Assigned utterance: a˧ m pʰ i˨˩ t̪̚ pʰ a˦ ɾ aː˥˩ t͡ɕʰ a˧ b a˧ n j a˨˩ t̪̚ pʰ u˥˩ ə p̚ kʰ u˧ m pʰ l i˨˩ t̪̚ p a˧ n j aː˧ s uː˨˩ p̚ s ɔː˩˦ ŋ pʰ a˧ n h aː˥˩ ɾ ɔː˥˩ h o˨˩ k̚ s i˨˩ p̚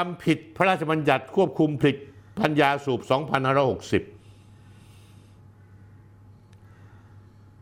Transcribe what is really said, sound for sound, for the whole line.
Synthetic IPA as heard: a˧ m pʰ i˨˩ t̪̚ pʰ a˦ ɾ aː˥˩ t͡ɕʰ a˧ b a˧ n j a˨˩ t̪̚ kʰ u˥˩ ə p̚ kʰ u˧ m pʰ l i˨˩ t̪̚ p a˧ n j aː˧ s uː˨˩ p̚ s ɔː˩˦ ŋ pʰ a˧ n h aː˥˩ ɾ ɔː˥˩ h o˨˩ k̚ s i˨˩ p̚